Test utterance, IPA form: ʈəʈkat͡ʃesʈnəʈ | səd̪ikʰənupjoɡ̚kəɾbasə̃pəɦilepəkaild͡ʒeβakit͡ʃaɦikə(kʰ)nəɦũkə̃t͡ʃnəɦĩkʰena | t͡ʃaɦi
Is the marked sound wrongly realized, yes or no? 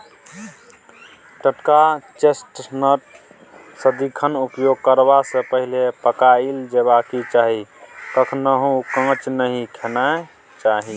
no